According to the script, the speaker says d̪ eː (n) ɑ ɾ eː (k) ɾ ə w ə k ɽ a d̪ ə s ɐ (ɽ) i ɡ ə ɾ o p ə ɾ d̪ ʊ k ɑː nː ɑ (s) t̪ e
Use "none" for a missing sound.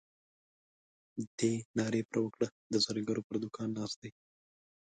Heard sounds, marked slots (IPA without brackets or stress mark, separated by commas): n, p, ɾ, s